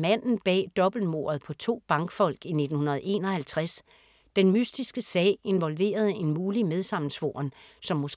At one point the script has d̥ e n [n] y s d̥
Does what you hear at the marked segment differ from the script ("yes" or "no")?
yes